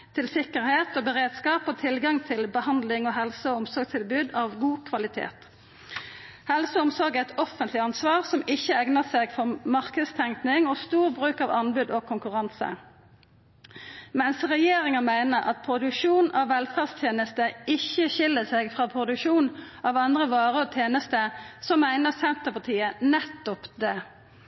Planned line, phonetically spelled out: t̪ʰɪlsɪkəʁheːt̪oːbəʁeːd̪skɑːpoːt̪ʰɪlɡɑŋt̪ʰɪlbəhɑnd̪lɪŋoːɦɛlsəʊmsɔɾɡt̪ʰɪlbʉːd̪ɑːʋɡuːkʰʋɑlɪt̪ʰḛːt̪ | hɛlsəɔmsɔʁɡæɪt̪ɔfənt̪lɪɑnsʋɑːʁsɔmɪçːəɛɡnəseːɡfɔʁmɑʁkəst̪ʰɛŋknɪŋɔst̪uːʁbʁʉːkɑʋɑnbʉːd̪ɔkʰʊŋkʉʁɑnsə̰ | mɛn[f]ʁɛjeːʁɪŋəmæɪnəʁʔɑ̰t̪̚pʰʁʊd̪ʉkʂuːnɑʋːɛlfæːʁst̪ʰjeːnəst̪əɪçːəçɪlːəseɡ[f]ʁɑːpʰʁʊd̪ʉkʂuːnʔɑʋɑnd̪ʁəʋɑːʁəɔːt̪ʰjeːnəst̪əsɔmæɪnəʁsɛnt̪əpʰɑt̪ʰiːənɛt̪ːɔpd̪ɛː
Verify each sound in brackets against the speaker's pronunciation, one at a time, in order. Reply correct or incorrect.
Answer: incorrect: s, correct

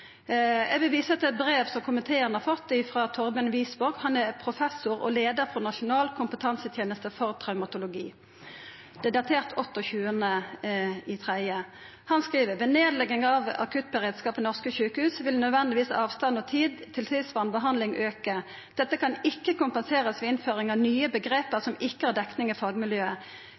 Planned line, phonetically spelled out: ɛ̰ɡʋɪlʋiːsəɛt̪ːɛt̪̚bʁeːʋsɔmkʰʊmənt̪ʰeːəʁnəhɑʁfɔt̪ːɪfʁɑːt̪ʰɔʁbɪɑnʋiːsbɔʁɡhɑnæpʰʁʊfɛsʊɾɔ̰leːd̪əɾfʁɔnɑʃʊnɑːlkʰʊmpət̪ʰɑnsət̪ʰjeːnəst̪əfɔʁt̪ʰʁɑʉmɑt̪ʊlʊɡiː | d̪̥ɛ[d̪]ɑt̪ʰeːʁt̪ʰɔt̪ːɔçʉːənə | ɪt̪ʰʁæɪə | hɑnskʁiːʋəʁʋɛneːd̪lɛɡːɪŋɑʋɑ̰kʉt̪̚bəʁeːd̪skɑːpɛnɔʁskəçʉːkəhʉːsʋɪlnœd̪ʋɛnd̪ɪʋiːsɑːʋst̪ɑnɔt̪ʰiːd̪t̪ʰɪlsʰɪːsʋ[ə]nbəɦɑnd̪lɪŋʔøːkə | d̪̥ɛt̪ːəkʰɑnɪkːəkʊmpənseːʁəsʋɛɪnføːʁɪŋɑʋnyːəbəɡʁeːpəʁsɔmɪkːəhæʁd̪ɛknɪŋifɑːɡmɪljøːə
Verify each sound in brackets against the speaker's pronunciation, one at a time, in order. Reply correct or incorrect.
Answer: correct, incorrect: ɑ

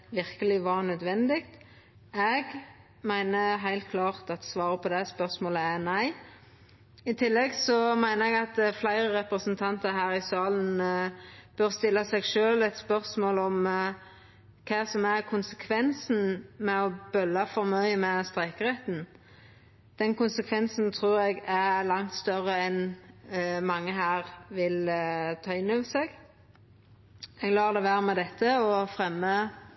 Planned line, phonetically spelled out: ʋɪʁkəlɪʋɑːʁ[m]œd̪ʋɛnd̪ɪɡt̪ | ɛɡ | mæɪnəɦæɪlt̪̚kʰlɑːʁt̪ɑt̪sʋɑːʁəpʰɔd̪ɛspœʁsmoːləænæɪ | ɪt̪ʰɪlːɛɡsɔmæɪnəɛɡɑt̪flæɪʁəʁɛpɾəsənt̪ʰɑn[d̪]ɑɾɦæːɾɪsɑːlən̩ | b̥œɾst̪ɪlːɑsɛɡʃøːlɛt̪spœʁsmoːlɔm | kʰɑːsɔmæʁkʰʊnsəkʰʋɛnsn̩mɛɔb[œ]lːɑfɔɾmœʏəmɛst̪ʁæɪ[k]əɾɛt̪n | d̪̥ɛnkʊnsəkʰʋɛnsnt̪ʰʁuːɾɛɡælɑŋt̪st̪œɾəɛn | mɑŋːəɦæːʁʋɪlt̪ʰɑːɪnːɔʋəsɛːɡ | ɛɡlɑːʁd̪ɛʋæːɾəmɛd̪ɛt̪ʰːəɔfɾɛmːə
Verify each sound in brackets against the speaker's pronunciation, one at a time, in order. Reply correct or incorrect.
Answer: incorrect: n, incorrect: t̪, correct, correct

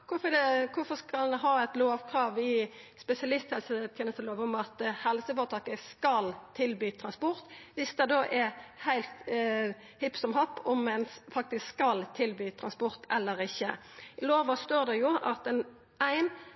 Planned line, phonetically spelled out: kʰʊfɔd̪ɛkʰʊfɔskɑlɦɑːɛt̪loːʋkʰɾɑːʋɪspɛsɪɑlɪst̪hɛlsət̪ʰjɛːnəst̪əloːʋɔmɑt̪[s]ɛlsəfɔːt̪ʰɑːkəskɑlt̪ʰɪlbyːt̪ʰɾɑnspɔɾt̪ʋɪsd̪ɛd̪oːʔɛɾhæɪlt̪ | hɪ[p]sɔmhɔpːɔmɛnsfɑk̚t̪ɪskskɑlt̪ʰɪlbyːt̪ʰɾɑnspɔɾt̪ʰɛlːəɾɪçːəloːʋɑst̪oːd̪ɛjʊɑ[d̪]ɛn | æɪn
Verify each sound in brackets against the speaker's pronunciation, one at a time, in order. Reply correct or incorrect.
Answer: incorrect: h, correct, incorrect: t̪

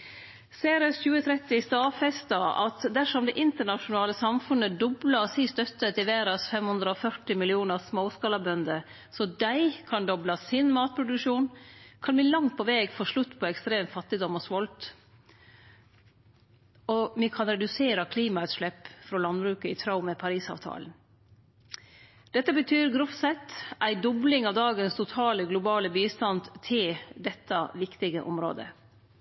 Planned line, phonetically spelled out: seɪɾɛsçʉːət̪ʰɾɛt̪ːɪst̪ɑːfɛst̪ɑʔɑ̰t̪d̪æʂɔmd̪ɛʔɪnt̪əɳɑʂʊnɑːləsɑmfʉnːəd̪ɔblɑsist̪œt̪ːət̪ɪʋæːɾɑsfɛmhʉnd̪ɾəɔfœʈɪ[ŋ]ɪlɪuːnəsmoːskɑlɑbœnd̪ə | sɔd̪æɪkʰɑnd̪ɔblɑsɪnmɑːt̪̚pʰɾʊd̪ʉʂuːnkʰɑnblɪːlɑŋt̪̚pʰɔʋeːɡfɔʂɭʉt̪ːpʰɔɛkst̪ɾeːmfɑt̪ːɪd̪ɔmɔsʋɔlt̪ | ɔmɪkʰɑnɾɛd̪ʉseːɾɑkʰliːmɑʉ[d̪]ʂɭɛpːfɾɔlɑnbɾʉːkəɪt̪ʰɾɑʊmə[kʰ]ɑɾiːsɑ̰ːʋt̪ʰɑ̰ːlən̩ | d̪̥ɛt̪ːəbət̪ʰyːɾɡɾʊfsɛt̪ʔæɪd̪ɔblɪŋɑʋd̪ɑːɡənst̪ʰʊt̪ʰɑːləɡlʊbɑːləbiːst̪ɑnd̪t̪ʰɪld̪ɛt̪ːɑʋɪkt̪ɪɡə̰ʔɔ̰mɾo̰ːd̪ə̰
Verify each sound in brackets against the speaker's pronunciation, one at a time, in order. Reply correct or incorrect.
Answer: incorrect: m, incorrect: t̪, incorrect: pʰ

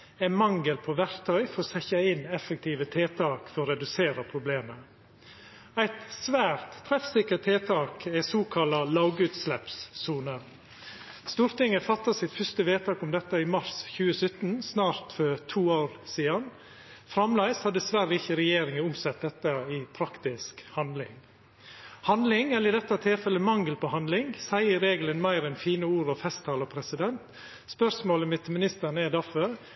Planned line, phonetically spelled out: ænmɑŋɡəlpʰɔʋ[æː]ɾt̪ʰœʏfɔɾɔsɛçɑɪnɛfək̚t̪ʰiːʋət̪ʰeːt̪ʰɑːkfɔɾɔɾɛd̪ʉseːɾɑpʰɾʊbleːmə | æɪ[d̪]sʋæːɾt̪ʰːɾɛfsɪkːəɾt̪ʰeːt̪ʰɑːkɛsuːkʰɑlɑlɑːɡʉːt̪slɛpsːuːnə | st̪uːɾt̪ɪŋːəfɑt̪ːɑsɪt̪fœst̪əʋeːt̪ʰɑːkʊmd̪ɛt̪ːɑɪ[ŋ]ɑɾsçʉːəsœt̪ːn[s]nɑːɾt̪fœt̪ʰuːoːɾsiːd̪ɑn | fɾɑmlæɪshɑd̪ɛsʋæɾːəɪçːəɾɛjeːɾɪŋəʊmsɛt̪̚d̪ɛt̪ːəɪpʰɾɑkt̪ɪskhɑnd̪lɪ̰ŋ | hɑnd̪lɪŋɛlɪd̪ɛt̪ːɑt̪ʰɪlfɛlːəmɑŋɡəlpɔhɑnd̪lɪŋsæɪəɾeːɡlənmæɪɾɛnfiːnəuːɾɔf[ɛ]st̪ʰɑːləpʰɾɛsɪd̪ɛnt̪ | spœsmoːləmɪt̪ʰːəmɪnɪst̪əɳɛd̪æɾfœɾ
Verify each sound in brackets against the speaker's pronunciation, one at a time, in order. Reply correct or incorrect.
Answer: incorrect: æ, incorrect: t̪, incorrect: m, correct, correct

